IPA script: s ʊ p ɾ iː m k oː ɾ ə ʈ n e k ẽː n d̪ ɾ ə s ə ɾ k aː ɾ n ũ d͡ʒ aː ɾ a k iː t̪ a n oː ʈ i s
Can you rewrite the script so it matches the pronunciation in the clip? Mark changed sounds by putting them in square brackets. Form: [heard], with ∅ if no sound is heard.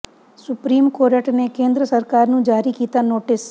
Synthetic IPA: s ʊ p ɾ iː m k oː ɾ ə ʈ n e k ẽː n d̪ ɾ ə s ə ɾ k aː ɾ n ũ d͡ʒ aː ɾ [i] k iː t̪ a n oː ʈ [ɪ] s